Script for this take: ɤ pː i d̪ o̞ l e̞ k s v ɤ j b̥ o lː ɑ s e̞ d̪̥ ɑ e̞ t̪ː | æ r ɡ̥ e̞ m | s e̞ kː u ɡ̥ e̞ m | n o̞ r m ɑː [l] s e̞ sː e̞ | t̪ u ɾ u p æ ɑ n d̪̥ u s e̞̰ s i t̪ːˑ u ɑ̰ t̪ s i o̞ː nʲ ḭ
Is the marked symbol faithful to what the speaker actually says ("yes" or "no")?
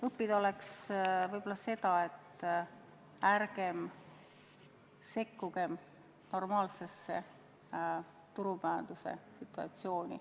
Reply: yes